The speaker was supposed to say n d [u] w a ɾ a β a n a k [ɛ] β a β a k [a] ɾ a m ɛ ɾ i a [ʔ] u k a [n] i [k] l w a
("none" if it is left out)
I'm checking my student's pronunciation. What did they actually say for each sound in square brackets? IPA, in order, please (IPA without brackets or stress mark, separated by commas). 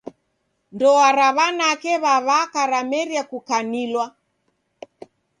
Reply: ɔ, ɛ, a, k, n, none